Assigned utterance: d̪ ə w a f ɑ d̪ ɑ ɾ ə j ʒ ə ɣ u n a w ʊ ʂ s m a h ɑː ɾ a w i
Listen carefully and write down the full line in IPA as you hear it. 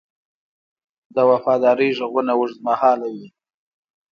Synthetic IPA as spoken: d̪ ə w a f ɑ d̪ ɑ ɾ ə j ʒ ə ɣ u n a w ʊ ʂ z m a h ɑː l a w i